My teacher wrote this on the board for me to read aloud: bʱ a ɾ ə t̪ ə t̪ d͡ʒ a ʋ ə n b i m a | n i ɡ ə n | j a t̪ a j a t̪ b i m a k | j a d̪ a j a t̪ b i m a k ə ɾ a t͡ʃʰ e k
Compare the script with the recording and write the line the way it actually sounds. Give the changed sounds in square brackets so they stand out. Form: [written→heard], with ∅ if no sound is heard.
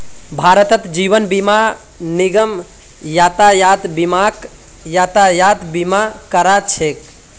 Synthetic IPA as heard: bʱ a ɾ ə t̪ ə t̪ d͡ʒ [a→i] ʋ ə n b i m a | n i ɡ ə [n→m] | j a t̪ a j a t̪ b i m a k | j a [d̪→t̪] a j a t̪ b i m a k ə ɾ a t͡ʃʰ e k